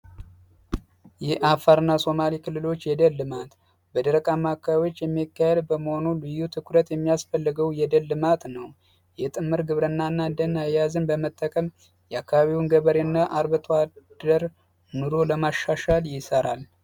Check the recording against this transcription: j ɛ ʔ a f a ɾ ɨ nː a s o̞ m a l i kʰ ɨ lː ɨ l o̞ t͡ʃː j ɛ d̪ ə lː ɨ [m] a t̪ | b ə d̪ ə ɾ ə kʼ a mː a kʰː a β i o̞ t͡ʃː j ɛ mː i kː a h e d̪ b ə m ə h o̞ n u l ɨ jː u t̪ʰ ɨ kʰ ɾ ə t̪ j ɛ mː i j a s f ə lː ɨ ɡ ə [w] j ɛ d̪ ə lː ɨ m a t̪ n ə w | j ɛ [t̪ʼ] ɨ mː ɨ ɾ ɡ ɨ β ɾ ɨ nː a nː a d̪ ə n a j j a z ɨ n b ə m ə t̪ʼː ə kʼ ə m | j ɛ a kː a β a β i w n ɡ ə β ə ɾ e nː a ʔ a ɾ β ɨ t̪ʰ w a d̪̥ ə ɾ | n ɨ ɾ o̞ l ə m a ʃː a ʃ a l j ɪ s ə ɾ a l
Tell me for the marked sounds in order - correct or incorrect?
correct, correct, correct

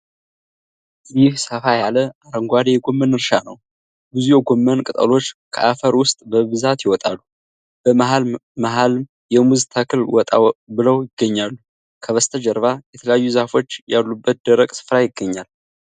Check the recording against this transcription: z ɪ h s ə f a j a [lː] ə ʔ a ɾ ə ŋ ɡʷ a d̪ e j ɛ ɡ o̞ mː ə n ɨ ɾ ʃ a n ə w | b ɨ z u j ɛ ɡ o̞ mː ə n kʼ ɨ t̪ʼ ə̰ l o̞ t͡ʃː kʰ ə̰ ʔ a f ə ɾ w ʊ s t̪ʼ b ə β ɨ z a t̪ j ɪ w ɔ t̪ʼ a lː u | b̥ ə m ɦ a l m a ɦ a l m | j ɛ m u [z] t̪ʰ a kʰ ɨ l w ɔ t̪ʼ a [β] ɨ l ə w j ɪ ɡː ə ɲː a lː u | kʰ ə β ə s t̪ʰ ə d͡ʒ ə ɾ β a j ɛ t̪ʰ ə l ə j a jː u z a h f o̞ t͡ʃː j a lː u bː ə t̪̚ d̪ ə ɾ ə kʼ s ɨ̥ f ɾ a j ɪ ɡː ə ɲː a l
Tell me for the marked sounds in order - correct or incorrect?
incorrect: l, correct, incorrect: b

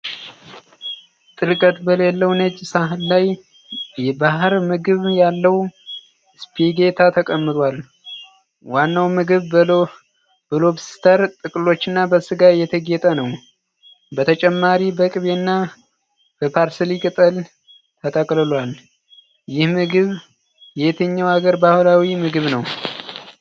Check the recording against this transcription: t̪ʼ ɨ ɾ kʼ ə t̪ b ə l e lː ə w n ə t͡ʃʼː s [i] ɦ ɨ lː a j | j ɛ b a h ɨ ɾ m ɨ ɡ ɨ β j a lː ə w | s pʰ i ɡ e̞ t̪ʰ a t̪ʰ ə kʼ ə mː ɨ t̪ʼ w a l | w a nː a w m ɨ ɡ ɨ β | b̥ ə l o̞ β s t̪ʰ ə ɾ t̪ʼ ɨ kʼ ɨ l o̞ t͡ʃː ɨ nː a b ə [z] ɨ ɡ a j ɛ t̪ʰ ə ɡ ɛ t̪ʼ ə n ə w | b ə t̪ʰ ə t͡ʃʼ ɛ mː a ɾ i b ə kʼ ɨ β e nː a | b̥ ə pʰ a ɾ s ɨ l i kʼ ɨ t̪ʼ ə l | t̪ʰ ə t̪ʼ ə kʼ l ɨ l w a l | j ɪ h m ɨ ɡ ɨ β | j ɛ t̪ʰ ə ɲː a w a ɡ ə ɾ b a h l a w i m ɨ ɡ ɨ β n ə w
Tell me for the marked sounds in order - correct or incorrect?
incorrect: a, incorrect: s

